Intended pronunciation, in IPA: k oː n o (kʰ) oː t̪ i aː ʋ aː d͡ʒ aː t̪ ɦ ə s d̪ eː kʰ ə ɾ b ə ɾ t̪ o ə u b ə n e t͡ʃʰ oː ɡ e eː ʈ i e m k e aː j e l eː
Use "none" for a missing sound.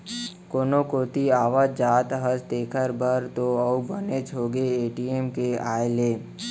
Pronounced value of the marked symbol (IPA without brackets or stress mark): k